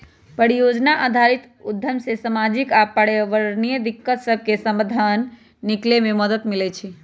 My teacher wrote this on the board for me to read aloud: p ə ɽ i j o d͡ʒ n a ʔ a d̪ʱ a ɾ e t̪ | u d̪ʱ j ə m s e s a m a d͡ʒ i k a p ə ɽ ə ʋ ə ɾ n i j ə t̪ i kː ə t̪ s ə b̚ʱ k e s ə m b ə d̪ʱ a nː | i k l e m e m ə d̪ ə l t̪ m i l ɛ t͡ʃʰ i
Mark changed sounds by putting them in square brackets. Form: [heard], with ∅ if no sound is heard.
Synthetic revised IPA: p ə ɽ i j o d͡ʒ n a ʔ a d̪ʱ a ɾ [i] t̪ | u d̪ʱ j ə m s e s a m a d͡ʒ i k a p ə ɽ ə ʋ ə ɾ n i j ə [d̪] i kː ə t̪ s ə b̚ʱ k e s ə m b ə d̪ʱ a nː | i k l e m e m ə d̪ ə [∅] t̪ m i l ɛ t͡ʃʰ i

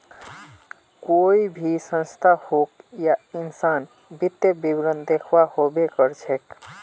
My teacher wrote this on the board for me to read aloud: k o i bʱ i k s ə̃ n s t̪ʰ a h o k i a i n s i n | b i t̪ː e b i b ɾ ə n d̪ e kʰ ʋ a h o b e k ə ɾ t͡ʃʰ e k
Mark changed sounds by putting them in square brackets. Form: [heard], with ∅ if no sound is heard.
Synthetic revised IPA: k o i bʱ i [∅] s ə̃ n s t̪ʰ a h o k [j] a i n s [a] n | b i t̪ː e b i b ɾ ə n d̪ e kʰ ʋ a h o b e k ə ɾ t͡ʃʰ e k

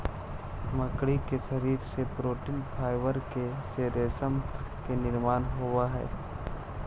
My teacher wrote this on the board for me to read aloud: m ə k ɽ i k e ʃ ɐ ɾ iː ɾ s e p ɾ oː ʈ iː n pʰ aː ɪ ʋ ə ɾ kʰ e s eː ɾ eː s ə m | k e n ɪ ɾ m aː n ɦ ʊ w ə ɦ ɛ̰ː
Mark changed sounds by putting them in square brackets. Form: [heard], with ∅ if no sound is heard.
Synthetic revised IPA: m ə k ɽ i k e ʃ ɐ ɾ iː ɾ s e p ɾ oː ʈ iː n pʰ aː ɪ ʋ ə ɾ [k] e s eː ɾ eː s ə m | k e n ɪ ɾ m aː n ɦ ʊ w [a] ɦ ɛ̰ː

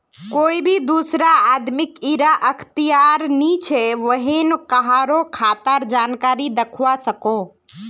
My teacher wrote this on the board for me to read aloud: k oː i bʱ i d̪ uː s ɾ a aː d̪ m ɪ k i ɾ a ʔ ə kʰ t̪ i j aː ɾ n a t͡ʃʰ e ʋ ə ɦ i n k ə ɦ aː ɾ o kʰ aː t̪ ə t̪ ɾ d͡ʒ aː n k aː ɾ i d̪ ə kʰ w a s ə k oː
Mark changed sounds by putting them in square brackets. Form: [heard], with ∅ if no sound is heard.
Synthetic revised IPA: k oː i bʱ i d̪ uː s ɾ a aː d̪ m ɪ k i ɾ a ʔ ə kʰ t̪ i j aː ɾ n [i] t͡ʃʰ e ʋ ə ɦ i n k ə ɦ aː ɾ o kʰ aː t̪ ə [∅] ɾ d͡ʒ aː n k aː ɾ i d̪ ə kʰ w a s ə k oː

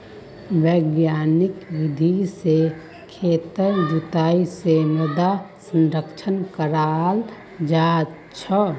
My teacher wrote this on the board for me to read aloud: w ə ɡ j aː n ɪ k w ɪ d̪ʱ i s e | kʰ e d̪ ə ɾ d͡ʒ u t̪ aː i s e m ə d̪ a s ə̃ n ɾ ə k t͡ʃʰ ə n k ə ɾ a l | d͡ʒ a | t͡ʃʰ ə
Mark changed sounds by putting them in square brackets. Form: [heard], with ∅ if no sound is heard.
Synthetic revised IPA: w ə ɡ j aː n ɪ k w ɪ d̪ʱ i s e | kʰ e [t̪] ə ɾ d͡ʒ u t̪ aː i s e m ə d̪ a s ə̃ n ɾ ə k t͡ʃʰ ə n k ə ɾ a l | d͡ʒ a | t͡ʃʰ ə

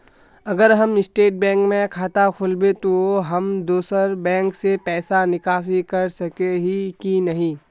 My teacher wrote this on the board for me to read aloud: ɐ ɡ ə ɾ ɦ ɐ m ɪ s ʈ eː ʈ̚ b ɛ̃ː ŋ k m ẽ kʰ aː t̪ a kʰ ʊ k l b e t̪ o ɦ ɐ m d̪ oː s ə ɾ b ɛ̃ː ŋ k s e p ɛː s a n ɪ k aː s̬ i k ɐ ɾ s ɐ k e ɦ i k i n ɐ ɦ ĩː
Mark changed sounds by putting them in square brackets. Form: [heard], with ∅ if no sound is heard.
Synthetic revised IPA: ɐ ɡ ə ɾ ɦ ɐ m ɪ s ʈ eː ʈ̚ b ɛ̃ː ŋ k m ẽ kʰ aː t̪ a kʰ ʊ [∅] l b e t̪ o ɦ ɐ m d̪ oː s ə ɾ b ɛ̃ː ŋ k s e p ɛː s a n ɪ k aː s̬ i k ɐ ɾ s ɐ k e ɦ i k i n ɐ ɦ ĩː

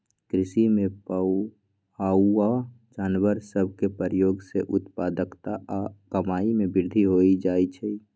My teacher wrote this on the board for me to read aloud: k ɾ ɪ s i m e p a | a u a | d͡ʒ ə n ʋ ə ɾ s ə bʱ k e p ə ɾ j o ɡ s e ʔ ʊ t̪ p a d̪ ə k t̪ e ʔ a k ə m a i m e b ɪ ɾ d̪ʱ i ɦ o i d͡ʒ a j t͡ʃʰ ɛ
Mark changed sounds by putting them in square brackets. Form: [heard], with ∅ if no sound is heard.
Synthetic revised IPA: k ɾ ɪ s i m e p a | a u a | d͡ʒ [a] n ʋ ə ɾ s ə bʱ k e p ə ɾ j o ɡ s e ʔ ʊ t̪ p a d̪ ə k t̪ [a] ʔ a k ə m a i m e b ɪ ɾ d̪ʱ i ɦ o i d͡ʒ a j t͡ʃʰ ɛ

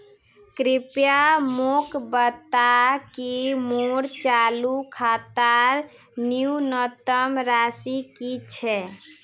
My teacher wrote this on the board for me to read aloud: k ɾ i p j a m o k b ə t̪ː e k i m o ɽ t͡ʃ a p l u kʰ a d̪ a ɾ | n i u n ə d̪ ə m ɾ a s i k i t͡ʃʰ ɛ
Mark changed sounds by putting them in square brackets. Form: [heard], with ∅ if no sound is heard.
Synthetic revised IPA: k ɾ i p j a m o k b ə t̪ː [a] k i m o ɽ t͡ʃ a [∅] l u kʰ a [t̪] a ɾ | n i u n ə [t̪] ə m ɾ a s i k i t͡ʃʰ ɛ

